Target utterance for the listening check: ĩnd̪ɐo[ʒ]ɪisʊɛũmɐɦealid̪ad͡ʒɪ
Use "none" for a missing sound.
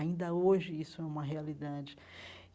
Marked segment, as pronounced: ʒ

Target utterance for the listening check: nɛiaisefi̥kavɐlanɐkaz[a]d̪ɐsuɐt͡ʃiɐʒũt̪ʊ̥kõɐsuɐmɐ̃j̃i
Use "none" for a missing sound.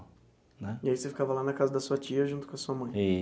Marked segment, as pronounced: ɐ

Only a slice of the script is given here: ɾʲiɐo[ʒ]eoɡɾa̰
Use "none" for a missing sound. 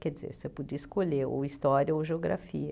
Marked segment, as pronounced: ʒ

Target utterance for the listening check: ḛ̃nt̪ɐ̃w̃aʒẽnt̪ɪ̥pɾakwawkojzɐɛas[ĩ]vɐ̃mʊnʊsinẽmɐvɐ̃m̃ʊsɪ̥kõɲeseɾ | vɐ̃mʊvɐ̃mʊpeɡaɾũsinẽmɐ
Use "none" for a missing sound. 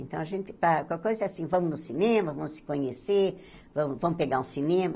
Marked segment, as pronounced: ĩ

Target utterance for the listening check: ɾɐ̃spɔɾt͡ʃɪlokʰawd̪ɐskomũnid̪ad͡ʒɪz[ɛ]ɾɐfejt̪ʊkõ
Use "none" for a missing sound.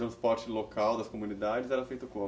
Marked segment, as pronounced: ɛ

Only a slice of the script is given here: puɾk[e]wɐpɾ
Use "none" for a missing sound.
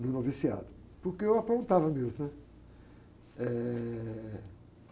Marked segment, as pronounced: e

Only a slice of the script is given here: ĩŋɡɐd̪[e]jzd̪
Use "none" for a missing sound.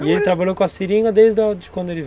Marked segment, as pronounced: e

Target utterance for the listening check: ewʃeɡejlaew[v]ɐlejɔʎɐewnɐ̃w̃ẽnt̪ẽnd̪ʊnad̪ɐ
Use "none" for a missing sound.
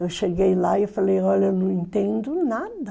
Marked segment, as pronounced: f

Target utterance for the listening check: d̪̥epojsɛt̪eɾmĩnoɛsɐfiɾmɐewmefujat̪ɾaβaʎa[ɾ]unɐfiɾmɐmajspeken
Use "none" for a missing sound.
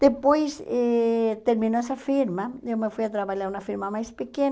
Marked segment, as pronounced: ɾ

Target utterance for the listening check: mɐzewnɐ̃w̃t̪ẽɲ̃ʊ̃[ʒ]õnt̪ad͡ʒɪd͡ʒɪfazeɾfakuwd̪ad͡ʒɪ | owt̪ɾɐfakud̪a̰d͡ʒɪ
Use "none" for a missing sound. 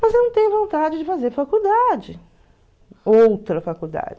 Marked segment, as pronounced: v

